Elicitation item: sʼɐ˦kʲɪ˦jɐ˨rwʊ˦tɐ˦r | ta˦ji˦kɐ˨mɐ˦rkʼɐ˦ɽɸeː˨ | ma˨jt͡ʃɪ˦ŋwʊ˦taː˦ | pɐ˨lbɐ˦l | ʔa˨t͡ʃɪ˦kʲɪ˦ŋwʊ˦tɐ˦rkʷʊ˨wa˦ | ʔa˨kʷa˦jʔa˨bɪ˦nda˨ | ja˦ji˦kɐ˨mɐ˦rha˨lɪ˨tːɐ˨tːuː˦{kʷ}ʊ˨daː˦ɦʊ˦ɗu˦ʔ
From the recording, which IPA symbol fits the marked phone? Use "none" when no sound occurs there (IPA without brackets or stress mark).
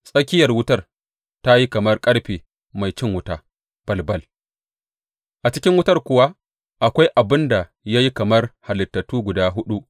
ɡʷ